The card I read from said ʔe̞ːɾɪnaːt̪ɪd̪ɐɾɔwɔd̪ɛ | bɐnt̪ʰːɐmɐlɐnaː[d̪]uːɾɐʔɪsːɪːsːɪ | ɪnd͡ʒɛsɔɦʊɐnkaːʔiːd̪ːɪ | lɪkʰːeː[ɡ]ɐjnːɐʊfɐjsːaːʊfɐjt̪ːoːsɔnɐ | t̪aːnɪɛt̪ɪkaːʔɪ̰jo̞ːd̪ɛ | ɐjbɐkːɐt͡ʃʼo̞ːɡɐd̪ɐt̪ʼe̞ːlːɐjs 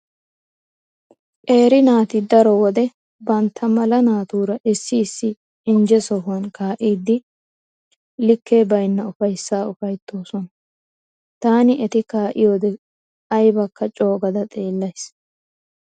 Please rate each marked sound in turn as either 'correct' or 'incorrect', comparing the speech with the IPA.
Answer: incorrect: t̪, incorrect: b

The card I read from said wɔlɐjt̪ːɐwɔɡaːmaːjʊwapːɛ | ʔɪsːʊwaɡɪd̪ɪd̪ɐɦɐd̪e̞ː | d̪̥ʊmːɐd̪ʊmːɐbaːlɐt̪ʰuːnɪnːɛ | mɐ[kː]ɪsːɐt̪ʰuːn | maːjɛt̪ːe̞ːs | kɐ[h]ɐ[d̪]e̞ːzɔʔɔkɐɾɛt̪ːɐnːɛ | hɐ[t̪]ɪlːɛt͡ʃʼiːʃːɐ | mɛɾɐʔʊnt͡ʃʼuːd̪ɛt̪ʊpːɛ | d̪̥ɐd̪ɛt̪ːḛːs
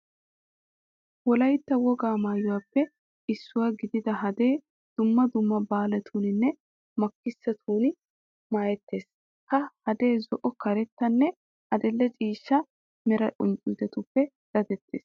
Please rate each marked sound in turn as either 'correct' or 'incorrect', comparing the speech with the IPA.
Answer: correct, correct, correct, incorrect: d̪

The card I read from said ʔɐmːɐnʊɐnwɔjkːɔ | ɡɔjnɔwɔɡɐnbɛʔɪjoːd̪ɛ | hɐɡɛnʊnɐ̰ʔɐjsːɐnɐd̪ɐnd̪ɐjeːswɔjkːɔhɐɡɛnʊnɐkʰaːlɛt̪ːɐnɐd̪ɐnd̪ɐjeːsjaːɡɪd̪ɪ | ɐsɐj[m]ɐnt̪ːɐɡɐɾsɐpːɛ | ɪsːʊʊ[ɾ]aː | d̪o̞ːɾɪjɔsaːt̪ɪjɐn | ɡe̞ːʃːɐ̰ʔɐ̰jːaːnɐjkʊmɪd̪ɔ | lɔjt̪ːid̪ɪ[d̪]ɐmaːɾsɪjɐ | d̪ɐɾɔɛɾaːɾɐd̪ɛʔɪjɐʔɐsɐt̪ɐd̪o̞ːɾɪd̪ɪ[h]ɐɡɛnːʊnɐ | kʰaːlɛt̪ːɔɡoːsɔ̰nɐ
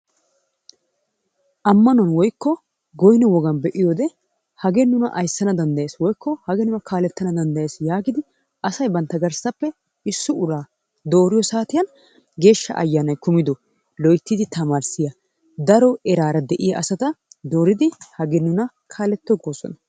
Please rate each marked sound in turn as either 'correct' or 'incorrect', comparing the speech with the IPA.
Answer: incorrect: b, correct, incorrect: t̪, correct

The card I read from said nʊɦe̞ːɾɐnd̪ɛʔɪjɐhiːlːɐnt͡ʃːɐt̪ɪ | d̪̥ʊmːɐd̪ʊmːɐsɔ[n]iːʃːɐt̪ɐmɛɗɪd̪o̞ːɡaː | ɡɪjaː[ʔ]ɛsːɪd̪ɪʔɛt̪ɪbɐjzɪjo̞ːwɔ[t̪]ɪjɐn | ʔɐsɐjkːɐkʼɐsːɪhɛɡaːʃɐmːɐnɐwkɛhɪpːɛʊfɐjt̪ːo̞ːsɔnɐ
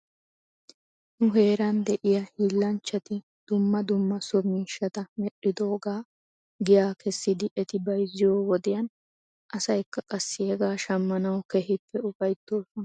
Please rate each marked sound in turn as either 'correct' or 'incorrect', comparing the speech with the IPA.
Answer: incorrect: m, incorrect: k, incorrect: d̪

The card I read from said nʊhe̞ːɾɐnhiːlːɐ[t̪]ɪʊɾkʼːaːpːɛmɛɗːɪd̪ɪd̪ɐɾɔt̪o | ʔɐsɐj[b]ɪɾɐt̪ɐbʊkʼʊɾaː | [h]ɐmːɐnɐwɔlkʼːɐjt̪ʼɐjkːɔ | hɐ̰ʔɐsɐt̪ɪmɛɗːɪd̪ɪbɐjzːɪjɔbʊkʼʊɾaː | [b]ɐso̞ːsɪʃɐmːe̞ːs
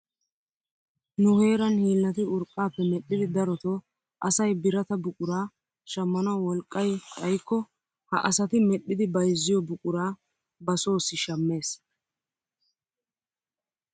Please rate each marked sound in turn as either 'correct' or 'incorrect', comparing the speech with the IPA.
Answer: correct, correct, incorrect: ʃ, correct

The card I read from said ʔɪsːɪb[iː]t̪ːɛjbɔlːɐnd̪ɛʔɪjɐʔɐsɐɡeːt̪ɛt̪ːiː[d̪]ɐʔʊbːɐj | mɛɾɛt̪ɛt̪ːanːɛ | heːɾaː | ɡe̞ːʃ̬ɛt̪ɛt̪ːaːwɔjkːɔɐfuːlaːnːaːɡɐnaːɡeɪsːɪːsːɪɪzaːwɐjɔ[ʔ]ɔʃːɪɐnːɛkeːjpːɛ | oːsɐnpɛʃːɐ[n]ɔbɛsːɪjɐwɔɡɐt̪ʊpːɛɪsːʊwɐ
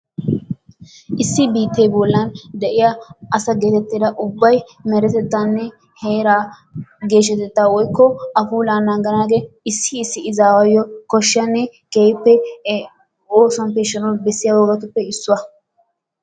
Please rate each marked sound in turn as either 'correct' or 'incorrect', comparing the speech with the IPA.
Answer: correct, correct, incorrect: k, correct

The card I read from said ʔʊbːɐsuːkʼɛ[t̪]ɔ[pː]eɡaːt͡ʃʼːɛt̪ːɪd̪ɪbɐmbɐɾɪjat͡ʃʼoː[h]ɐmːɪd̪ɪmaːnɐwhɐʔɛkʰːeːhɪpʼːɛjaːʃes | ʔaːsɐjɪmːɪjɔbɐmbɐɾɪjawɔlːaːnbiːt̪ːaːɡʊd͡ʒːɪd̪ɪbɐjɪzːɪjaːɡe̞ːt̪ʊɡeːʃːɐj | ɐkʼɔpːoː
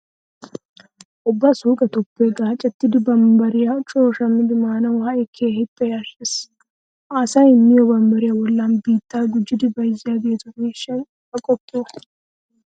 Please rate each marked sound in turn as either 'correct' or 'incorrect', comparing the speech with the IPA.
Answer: correct, correct, incorrect: ʃ

